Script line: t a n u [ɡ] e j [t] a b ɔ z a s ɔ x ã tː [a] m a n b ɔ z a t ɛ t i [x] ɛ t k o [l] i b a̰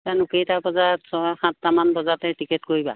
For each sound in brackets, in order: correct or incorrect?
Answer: incorrect, correct, correct, incorrect, incorrect

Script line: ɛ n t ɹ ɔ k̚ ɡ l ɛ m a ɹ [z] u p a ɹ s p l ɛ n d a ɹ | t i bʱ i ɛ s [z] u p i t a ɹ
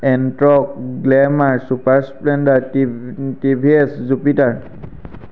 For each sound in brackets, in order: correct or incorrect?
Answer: incorrect, correct

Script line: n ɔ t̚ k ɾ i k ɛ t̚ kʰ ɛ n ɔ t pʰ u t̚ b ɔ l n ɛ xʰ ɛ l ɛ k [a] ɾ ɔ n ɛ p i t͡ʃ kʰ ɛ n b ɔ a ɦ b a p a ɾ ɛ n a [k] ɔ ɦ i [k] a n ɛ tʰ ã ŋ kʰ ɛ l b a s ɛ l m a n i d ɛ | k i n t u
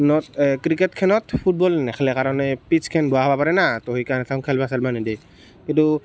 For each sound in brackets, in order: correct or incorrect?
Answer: correct, incorrect, correct

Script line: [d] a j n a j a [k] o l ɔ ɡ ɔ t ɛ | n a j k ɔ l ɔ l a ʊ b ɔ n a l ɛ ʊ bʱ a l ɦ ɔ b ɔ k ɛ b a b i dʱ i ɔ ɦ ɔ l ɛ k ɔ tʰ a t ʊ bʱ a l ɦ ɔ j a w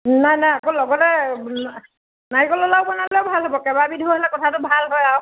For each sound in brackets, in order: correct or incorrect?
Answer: incorrect, correct

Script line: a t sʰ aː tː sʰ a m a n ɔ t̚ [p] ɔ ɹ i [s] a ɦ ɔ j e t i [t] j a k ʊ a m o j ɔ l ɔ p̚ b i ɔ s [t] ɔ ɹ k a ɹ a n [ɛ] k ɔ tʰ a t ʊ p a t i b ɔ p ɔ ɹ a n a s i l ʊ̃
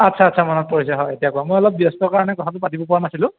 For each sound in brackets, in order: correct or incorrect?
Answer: correct, correct, incorrect, correct, correct

